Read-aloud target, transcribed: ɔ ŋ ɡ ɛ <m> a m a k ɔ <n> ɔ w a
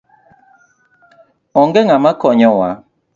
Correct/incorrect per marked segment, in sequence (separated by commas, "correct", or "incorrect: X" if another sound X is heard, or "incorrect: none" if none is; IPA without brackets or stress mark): incorrect: ŋ, incorrect: ɲ